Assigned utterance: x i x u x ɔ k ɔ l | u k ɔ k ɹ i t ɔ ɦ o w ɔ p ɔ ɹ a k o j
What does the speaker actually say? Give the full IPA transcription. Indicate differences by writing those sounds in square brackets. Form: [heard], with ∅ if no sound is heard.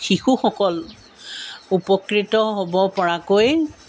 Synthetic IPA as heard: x i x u x ɔ k ɔ l | u [p] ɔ k ɹ i t ɔ ɦ o [b] ɔ p ɔ ɹ a k o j